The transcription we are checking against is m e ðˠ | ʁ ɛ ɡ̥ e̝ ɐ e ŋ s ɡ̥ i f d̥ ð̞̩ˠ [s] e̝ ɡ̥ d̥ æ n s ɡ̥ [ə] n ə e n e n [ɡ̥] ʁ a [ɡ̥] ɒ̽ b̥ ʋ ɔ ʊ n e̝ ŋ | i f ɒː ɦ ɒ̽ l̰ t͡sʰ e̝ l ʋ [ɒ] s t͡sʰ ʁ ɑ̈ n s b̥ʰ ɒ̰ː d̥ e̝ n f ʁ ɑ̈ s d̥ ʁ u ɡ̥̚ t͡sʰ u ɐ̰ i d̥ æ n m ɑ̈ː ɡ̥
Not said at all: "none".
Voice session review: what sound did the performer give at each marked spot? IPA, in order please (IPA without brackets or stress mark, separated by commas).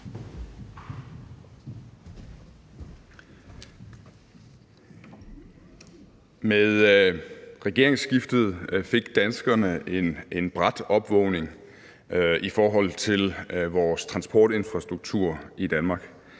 f, ɐ, b̥, d̥, ɒː